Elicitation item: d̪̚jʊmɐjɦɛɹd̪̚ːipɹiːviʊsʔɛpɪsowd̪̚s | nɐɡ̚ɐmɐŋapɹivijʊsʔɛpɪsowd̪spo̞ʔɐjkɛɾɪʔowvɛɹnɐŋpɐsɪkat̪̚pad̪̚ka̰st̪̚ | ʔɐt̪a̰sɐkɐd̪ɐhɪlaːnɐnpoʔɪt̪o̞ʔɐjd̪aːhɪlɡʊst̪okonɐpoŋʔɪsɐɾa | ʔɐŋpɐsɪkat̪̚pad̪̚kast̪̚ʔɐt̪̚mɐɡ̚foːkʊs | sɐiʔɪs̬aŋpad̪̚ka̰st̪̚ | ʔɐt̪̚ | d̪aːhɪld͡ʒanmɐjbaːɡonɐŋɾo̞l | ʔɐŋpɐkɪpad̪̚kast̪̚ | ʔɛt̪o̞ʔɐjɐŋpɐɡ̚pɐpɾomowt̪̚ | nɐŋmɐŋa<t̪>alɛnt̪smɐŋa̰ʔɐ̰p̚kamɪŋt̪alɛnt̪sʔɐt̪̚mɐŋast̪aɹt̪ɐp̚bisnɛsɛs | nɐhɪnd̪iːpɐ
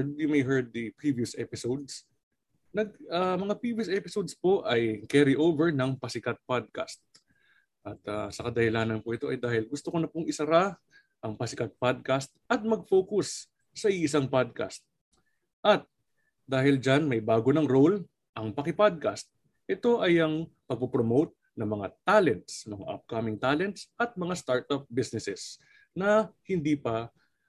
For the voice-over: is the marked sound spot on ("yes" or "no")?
yes